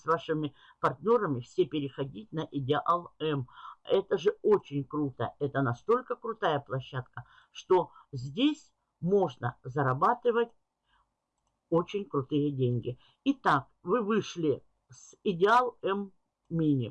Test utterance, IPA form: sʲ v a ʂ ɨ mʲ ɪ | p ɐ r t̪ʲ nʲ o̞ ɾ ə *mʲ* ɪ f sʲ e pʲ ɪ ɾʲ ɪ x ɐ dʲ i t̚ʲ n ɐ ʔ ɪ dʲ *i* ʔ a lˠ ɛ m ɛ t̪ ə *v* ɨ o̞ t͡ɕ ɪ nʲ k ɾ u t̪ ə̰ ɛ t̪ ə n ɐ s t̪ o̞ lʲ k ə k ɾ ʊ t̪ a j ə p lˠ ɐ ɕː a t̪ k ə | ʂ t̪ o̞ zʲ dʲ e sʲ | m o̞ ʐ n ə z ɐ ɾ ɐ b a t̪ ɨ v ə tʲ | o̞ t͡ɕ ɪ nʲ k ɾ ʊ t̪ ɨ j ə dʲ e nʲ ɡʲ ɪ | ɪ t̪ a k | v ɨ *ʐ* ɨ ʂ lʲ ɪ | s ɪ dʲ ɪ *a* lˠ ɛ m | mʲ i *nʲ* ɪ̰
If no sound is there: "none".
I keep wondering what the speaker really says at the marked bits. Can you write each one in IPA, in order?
mʲ, ɪ, ʐ, v, a, nʲ

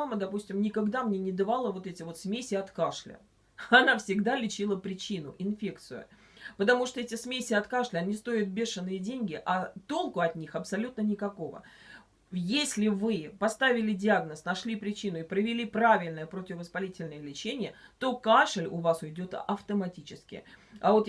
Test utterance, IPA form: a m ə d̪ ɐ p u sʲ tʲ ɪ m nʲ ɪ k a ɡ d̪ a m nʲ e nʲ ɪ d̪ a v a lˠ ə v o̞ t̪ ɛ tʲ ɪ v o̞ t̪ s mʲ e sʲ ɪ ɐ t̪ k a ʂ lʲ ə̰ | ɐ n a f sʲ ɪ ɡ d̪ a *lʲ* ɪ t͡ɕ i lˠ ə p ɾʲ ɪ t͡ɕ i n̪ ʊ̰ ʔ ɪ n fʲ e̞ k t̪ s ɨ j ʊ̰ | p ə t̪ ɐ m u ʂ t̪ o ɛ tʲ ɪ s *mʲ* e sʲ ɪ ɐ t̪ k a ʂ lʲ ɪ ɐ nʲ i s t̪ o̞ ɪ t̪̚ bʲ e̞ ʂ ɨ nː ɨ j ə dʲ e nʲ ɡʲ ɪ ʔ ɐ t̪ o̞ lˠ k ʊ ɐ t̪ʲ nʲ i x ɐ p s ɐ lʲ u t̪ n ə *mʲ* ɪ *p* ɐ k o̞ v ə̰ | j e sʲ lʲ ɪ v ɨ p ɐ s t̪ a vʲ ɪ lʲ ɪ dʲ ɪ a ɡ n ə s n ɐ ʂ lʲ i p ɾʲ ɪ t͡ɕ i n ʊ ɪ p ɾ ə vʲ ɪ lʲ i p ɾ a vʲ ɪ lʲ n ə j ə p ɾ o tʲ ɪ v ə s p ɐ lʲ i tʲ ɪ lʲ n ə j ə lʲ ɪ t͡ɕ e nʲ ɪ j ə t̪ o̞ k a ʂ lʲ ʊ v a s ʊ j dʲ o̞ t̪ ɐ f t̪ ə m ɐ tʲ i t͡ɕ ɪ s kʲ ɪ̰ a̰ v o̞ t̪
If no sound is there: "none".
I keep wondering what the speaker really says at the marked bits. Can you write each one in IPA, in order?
lʲ, mʲ, nʲ, k

